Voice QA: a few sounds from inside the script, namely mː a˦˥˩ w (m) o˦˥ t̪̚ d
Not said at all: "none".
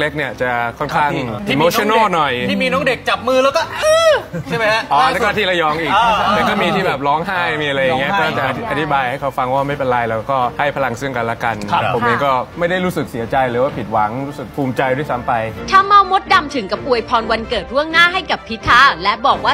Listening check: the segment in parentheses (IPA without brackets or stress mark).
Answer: m